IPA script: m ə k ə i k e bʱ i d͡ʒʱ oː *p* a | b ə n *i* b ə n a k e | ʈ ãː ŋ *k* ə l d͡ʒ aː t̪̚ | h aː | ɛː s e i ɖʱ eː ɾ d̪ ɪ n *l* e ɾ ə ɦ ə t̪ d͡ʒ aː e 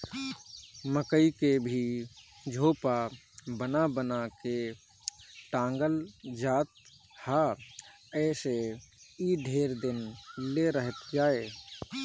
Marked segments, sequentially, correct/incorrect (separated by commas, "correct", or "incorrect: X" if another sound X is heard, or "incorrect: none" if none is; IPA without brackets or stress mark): correct, incorrect: a, incorrect: ɡ, correct